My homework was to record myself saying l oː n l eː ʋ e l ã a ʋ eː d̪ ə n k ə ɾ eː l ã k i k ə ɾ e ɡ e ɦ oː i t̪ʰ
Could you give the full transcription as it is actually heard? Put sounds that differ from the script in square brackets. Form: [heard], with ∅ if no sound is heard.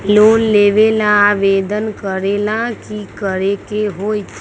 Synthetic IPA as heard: l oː n l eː ʋ e l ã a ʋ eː d̪ ə n k ə ɾ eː l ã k i k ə ɾ e [k] e ɦ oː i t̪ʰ